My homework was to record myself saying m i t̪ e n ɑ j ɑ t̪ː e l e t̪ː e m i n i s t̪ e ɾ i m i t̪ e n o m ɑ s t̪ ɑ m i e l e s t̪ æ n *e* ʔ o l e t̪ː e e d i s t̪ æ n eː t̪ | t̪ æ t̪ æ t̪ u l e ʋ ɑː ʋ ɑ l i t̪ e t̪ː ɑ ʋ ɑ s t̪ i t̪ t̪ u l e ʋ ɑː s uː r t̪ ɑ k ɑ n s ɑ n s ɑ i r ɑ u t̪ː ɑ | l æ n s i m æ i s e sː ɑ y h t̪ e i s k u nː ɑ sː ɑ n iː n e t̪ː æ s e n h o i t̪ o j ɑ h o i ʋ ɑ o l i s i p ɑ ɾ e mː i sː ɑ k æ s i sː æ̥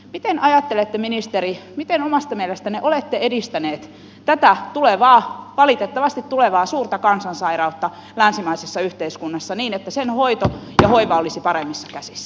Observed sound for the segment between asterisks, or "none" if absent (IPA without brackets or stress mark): e